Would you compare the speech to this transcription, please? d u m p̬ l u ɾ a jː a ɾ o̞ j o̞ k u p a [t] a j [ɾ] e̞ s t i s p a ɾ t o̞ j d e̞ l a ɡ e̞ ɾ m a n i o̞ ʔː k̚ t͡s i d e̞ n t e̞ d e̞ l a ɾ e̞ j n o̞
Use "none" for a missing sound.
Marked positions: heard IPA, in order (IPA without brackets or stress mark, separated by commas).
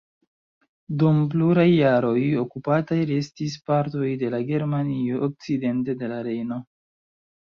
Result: t, ɾ